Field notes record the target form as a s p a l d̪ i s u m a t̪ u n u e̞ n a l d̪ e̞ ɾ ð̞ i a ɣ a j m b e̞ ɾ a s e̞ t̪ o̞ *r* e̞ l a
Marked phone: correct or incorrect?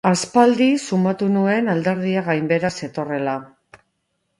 correct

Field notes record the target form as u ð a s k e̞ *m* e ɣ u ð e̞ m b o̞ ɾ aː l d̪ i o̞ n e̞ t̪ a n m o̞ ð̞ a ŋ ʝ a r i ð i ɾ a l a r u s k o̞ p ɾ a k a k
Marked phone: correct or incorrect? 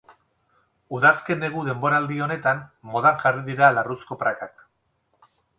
incorrect: n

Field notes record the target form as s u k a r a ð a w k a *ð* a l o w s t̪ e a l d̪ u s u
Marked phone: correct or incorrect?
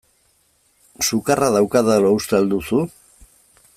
correct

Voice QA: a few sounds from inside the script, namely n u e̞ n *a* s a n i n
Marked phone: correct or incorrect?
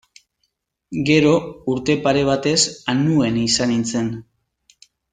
incorrect: i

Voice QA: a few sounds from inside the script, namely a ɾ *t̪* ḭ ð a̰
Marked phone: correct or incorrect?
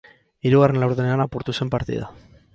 correct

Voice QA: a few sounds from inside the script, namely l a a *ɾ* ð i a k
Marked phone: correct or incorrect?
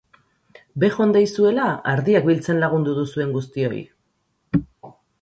correct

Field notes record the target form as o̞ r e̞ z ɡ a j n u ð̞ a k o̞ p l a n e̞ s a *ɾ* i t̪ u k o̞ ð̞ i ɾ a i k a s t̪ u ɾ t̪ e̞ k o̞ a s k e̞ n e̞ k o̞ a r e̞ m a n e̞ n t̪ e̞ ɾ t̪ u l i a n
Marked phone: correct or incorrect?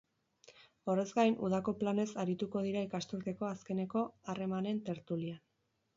correct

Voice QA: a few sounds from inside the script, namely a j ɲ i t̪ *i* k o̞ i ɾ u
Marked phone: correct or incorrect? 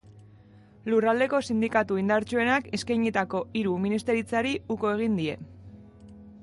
incorrect: a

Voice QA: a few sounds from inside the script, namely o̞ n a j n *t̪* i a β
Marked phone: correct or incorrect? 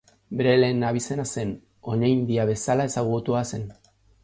incorrect: d̪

